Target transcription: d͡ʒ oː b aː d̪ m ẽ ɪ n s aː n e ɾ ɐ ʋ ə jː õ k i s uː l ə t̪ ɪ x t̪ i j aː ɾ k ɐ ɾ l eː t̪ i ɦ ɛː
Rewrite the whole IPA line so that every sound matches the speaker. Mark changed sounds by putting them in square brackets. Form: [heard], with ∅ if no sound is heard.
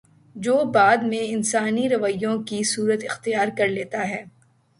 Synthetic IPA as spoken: d͡ʒ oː b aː d̪ m ẽ ɪ n s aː n [i] ɾ ɐ ʋ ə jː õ k i s uː [ɾ] ə t̪ ɪ x t̪ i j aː ɾ k ɐ ɾ l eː t̪ [a] ɦ ɛː